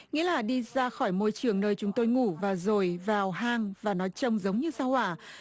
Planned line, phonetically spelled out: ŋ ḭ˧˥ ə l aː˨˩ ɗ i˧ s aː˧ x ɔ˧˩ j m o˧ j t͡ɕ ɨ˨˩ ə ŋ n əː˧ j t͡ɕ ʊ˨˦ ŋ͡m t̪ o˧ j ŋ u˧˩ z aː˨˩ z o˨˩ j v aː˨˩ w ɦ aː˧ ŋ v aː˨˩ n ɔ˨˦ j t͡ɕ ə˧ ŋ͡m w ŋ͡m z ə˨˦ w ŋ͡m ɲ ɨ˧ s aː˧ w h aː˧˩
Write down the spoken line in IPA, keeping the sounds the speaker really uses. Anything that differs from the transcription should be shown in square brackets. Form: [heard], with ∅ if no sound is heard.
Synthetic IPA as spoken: ŋ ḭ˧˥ ə l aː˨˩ ɗ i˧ [z] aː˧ x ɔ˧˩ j m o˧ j t͡ɕ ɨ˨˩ ə ŋ n əː˧ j t͡ɕ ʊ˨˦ ŋ͡m t̪ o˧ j ŋ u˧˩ [v] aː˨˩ z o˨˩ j v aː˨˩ w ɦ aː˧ ŋ v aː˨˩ n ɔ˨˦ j t͡ɕ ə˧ [∅] w ŋ͡m z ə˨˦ w ŋ͡m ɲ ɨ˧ s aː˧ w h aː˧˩